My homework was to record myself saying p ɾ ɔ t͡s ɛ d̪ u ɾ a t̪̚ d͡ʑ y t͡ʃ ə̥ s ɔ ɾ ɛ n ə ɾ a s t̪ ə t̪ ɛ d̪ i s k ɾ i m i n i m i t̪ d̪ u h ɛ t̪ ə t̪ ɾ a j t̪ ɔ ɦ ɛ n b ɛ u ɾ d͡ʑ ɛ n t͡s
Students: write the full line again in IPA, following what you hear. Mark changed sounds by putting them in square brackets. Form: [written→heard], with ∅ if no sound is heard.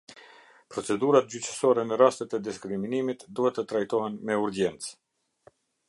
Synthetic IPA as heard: p ɾ ɔ t͡s ɛ d̪ u ɾ a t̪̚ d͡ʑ y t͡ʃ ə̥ s ɔ ɾ ɛ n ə ɾ a s t̪ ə t̪ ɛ d̪ i s k ɾ i m i n i m i t̪ d̪ u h ɛ t̪ ə t̪ ɾ a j t̪ ɔ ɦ ɛ n [b→m] ɛ u ɾ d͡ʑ ɛ n t͡s